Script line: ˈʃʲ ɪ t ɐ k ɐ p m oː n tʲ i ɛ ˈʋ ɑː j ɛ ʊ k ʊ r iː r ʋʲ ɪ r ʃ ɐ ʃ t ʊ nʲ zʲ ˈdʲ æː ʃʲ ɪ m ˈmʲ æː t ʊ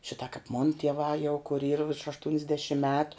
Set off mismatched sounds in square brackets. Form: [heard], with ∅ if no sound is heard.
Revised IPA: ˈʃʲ ɪ t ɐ k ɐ p m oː n tʲ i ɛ ˈʋ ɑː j ɛ ʊ k ʊ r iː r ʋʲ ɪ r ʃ ɐ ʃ t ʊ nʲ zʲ ˈdʲ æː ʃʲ ɪ m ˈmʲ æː t ʊ